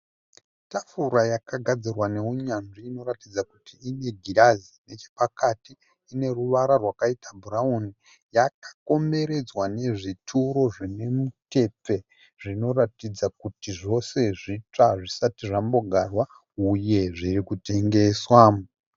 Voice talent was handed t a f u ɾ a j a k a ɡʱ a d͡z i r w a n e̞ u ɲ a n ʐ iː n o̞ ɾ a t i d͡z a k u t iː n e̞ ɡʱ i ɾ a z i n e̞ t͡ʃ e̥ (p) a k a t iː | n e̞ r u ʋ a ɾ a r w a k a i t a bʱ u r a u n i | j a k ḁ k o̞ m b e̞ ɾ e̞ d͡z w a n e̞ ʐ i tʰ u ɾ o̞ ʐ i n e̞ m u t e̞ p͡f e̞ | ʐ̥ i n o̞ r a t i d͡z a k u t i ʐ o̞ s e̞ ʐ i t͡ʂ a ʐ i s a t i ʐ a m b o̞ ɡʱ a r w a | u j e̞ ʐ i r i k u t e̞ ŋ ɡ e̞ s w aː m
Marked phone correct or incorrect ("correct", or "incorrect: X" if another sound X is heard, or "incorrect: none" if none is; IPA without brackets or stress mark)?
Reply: correct